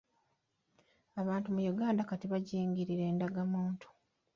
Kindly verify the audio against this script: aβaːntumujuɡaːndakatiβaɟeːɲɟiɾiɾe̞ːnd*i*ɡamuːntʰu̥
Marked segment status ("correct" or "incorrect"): incorrect